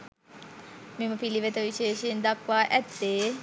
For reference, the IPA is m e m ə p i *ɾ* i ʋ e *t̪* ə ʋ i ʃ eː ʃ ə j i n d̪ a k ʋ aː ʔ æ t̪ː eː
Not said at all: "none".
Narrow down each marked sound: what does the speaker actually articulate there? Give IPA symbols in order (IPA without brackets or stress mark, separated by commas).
l, t̪